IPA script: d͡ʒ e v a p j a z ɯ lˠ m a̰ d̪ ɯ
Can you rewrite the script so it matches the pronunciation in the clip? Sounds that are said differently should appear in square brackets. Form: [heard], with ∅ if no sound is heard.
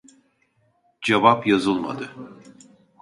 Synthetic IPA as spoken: d͡ʒ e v a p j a z ɯ lˠ m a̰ d̪ ɯ